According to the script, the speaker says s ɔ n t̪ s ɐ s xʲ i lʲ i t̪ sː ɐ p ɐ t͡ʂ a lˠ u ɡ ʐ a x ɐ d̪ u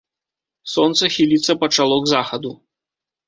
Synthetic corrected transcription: s ɔ n t̪ s ɐ xʲ i lʲ i t̪ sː ɐ p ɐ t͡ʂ a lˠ ɔ ɡ z a x ɐ d̪ u